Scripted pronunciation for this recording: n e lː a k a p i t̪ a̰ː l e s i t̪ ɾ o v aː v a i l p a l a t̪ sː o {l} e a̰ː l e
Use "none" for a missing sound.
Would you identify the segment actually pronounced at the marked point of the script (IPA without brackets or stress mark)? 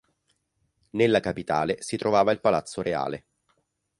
ɾ